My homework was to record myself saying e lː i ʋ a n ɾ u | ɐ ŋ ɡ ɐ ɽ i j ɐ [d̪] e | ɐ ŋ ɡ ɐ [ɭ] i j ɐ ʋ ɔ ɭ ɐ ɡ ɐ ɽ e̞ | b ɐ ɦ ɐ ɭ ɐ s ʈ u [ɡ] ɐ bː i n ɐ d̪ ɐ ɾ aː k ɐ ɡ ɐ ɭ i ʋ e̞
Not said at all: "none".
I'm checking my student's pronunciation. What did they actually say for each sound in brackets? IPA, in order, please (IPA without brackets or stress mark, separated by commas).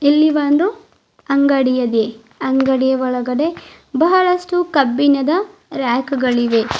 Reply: d̪, ɽ, k